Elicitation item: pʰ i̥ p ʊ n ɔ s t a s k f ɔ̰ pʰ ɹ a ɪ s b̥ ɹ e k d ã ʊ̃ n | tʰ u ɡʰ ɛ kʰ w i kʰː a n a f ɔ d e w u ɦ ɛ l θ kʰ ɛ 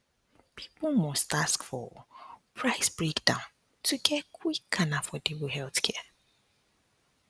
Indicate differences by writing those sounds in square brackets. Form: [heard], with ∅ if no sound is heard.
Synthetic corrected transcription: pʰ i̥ p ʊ [m] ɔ s t a s k f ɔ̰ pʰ ɹ a ɪ s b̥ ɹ e k d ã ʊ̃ n | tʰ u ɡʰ ɛ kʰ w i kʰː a n a f ɔ d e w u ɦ ɛ l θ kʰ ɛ